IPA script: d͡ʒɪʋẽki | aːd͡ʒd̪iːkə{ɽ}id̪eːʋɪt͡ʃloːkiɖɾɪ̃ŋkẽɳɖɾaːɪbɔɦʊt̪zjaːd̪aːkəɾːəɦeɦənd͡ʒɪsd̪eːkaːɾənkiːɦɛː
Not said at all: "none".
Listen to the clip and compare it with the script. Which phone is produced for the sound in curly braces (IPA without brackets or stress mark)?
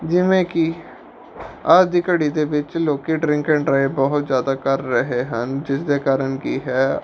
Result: ɽ